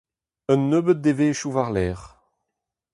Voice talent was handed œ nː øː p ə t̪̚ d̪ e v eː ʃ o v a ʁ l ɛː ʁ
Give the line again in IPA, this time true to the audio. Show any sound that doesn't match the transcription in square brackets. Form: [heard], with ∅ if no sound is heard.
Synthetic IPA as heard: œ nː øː [b] ə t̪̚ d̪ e v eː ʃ [u] v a ʁ l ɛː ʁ